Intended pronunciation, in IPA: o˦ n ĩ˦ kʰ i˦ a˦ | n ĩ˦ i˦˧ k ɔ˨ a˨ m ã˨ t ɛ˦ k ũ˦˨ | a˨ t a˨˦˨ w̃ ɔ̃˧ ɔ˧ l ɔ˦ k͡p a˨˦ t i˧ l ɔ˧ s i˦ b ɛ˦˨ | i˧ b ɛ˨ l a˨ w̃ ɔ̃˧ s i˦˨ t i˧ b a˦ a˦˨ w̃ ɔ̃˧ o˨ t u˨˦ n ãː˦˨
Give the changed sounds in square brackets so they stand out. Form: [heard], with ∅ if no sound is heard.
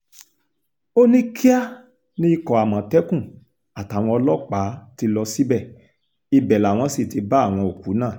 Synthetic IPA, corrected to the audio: o˦ n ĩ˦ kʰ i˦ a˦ | n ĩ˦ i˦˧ k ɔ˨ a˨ m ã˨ t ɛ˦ k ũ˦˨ | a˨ t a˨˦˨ w̃ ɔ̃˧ ɔ˧ l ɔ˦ k͡p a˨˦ t i˧ l ɔ˧ s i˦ b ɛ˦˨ | i˧ b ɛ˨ l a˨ w̃ ɔ̃˧ s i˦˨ t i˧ b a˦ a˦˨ w̃ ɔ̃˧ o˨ [k] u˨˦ n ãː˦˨